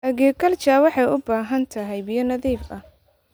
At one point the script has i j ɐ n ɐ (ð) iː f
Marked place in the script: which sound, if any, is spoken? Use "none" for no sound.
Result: ð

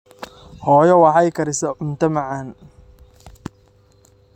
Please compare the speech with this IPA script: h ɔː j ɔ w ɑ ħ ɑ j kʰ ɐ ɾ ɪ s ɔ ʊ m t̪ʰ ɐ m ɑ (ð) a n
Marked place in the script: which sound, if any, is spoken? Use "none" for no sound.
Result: ʕ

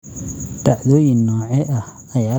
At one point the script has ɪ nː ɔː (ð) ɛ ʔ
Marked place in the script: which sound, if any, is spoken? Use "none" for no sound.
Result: ʕ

